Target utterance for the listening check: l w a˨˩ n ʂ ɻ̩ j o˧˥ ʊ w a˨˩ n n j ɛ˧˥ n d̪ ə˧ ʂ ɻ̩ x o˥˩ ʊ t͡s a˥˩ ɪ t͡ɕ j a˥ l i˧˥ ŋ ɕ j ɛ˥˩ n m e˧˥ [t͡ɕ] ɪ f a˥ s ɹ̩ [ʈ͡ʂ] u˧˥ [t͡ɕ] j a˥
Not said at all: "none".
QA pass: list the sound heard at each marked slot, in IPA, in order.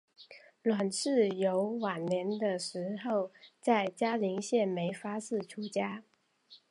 none, ʈ͡ʂʰ, t͡ɕ

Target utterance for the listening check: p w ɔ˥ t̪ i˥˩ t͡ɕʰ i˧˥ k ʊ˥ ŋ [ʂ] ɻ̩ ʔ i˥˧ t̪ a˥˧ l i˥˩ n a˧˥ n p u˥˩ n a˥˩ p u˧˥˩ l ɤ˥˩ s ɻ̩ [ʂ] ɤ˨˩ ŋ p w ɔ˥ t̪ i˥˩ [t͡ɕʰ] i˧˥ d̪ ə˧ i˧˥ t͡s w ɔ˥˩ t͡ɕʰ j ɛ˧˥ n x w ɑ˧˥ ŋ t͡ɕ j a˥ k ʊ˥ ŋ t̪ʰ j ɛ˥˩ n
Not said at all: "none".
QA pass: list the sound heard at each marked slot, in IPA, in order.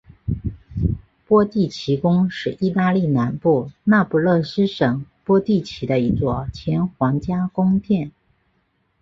ʂ, ʂ, t͡ɕʰ

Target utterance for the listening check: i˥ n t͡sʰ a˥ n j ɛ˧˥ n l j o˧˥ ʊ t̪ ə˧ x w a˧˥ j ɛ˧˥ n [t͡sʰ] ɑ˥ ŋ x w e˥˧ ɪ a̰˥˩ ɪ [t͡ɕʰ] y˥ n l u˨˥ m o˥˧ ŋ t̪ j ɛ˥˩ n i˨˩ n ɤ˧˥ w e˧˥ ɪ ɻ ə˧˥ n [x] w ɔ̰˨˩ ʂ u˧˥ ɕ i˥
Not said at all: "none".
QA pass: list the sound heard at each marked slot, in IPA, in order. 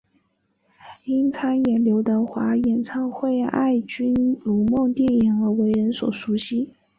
t͡sʰ, t͡ɕ, s

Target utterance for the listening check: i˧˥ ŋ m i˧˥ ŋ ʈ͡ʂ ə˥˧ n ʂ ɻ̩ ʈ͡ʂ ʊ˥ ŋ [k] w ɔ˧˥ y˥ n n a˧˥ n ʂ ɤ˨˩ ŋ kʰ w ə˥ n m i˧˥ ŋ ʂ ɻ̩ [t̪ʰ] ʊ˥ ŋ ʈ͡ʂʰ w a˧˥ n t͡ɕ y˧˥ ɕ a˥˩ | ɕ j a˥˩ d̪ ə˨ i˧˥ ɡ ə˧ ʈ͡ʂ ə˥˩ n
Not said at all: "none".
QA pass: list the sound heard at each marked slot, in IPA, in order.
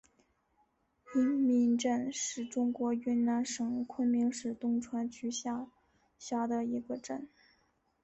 k, t̪

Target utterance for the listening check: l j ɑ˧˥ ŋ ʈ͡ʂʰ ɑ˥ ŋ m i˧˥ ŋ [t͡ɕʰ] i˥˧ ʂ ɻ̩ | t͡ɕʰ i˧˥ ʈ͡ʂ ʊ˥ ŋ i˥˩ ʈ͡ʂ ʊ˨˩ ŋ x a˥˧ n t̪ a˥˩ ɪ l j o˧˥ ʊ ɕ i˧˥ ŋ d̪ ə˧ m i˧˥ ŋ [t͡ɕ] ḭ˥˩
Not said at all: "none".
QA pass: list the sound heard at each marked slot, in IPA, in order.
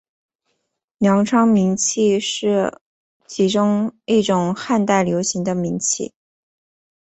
t͡ɕʰ, t͡ɕʰ

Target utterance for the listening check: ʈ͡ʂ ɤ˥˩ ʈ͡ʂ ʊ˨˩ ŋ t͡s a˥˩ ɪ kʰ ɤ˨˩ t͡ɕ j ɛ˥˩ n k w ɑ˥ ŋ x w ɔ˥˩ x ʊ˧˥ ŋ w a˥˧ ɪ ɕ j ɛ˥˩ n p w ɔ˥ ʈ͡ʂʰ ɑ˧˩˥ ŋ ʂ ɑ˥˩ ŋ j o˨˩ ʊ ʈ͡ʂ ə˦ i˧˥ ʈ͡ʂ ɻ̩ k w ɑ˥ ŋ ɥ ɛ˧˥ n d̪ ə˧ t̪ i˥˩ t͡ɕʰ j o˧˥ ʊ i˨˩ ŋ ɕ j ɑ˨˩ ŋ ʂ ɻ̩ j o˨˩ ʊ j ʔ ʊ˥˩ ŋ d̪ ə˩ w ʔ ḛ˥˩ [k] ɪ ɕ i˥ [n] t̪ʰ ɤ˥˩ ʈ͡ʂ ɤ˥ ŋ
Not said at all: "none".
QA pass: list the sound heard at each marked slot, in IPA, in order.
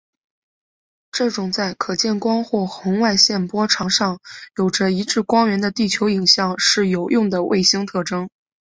none, ŋ

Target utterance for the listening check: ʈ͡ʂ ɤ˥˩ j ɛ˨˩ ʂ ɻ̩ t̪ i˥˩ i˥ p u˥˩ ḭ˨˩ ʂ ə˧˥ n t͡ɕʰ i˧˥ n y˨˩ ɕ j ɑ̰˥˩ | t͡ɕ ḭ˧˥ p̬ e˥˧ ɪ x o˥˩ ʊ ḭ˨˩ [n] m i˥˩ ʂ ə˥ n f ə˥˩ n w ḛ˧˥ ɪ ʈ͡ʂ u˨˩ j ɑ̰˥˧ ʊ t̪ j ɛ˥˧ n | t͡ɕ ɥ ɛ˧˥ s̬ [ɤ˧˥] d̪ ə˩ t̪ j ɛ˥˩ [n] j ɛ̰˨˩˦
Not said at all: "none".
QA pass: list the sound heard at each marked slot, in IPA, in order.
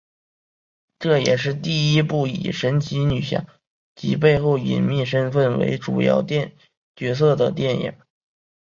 n, ɤ˥˩, n

